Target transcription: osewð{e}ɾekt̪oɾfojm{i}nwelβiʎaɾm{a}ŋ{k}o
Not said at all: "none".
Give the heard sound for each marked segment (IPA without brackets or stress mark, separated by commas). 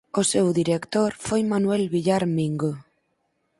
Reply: i, a, i, ɡ